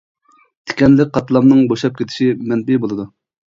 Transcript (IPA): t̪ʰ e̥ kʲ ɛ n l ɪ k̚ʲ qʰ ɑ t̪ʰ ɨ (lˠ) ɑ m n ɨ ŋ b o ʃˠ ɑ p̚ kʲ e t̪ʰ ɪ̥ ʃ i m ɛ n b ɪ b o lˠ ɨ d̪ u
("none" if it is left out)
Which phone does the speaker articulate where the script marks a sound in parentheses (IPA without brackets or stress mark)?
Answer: lˠ